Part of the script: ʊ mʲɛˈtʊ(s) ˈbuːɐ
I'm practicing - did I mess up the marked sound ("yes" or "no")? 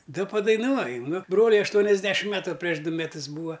no